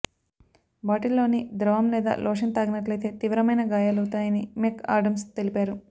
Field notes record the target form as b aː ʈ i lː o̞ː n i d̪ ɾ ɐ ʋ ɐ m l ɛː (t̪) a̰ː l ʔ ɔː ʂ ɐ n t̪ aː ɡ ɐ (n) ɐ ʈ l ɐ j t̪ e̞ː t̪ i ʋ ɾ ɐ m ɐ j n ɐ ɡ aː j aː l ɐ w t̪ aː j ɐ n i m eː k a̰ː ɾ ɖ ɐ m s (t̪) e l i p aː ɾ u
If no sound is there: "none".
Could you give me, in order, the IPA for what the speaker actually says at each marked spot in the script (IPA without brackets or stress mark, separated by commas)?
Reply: d̪, n, t̪